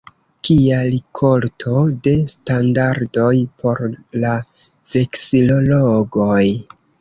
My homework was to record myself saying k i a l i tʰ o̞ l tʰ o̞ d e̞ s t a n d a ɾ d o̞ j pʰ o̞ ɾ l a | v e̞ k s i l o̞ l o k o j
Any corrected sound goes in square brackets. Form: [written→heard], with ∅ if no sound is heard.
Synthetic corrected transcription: k i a l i [tʰ→kʰ] o̞ l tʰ o̞ d e̞ s t a n d a ɾ d o̞ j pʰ o̞ ɾ l a | v e̞ k s i l o̞ l o [k→ɡ] o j